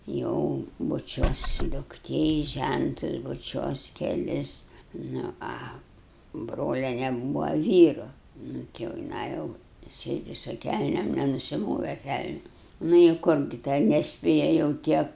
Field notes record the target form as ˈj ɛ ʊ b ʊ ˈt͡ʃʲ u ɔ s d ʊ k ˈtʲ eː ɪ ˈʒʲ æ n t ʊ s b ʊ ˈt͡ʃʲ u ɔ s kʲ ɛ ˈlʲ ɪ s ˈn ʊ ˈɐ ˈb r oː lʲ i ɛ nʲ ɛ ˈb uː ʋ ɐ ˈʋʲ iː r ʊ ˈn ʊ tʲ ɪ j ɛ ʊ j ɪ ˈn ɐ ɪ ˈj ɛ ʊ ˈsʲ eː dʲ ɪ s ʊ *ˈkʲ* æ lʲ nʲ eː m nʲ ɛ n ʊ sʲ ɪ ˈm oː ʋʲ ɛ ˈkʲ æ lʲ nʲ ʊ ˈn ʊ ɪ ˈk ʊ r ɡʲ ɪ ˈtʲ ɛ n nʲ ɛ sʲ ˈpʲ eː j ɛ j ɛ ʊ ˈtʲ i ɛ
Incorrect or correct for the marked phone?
correct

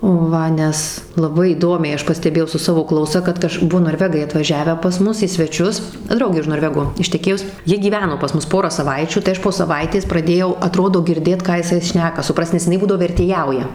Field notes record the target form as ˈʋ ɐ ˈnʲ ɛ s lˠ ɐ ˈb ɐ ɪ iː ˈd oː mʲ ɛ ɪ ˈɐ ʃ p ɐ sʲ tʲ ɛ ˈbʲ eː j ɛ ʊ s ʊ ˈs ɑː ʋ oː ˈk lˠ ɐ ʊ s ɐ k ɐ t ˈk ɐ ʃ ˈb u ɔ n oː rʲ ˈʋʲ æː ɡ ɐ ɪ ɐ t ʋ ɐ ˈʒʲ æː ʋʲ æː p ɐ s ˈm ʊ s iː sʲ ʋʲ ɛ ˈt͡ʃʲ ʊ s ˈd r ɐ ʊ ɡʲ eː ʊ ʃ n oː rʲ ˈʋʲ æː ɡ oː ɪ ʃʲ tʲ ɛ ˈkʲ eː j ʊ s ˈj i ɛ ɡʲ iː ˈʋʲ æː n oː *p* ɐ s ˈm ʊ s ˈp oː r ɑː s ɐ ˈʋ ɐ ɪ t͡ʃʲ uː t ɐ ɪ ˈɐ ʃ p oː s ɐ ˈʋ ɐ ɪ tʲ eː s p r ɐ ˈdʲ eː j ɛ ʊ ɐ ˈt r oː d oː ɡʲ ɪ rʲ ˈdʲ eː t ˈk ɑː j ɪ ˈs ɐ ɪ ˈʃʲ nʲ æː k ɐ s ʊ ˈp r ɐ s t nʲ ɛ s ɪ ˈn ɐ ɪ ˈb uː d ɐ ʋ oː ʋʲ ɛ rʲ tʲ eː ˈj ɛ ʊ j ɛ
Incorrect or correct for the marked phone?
correct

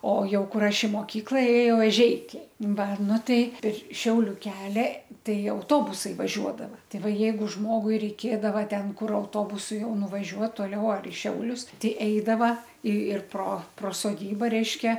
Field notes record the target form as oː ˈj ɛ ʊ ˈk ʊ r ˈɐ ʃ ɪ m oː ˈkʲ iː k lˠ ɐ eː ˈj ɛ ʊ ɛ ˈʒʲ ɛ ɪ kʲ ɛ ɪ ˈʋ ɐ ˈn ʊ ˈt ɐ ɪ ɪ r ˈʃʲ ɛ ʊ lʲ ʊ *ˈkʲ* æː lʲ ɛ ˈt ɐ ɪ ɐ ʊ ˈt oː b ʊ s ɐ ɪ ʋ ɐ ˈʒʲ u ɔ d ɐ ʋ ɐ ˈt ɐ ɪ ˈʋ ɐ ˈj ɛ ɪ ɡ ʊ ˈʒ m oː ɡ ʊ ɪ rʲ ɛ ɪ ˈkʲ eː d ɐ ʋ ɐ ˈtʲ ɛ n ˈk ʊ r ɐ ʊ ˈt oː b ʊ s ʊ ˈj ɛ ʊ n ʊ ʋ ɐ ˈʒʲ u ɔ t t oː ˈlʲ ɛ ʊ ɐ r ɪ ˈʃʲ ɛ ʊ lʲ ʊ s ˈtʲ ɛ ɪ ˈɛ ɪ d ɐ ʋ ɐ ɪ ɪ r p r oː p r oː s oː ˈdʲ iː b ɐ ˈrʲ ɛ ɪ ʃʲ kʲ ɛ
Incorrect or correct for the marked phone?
correct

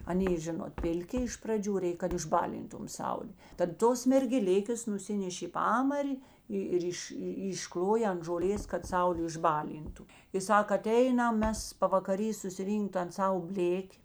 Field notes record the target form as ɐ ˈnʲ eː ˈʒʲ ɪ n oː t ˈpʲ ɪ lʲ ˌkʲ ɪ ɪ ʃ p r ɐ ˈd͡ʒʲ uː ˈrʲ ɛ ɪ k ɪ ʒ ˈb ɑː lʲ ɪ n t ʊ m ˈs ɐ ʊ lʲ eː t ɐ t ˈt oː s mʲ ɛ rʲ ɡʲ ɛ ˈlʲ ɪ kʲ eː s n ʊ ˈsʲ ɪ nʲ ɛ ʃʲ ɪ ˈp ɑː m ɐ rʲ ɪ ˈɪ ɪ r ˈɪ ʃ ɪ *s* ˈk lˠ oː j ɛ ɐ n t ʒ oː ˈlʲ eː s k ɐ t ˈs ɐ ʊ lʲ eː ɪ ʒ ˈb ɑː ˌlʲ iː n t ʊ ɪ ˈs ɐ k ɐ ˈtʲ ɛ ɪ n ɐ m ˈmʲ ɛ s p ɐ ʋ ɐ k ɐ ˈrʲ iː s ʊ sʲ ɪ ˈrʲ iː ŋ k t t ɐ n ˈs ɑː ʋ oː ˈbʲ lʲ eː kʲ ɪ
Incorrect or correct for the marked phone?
incorrect: ʃ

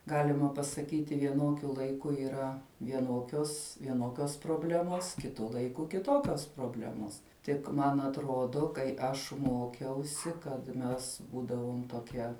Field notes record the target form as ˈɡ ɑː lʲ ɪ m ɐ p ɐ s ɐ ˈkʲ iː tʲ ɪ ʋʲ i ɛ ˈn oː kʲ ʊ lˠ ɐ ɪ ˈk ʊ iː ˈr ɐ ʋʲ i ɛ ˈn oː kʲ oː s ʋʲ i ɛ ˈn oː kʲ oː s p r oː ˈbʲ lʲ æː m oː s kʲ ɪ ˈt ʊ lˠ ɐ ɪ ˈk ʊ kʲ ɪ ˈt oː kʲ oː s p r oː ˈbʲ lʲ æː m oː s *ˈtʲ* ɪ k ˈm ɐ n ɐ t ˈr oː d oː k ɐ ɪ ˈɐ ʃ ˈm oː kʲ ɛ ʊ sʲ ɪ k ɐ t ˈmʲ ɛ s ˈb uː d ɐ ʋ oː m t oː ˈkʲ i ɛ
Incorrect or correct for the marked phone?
correct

